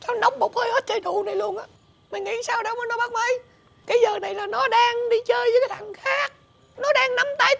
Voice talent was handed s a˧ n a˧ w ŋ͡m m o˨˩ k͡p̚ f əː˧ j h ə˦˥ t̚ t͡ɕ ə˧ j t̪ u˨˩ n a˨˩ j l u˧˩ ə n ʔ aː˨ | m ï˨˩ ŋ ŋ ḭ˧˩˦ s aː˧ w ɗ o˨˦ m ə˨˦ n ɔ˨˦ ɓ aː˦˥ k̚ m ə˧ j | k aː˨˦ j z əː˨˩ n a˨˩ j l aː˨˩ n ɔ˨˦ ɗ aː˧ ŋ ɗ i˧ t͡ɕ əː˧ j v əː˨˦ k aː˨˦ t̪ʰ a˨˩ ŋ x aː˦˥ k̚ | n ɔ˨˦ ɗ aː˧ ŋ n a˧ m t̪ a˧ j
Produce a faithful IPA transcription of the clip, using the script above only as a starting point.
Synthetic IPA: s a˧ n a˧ w ŋ͡m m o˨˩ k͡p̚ h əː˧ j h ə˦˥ t̚ t͡ɕ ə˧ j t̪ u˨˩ n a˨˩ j l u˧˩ ə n ʔ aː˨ | m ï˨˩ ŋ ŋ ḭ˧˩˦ s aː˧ w ɗ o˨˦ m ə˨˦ n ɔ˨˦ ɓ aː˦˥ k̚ m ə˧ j | k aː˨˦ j z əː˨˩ n a˨˩ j l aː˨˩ n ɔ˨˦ ɗ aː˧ ŋ ɗ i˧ t͡ɕ əː˧ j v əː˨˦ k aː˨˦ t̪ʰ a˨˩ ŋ x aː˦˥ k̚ | n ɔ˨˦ ɗ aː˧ ŋ n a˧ m t̪ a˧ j